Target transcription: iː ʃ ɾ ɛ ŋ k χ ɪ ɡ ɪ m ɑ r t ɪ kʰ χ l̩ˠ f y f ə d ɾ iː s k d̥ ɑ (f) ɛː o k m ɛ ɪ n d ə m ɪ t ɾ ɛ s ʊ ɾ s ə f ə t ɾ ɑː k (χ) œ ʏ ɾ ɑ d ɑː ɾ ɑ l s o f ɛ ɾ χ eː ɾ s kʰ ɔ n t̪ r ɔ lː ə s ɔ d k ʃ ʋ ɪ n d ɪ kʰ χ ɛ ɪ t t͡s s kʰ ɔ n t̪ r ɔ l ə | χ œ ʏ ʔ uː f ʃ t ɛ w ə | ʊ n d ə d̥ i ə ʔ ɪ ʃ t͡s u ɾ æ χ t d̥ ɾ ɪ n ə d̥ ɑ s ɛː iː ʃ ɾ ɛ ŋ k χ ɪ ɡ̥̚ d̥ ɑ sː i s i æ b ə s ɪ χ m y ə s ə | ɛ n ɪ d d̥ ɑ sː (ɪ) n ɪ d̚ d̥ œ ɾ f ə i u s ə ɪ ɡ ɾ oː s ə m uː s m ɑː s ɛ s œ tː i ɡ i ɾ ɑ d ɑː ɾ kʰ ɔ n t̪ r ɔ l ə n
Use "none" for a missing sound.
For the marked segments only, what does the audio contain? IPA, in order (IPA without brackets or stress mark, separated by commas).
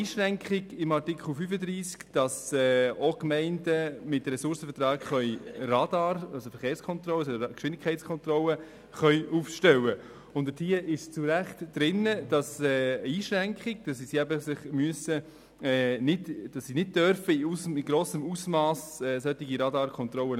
s, χ, i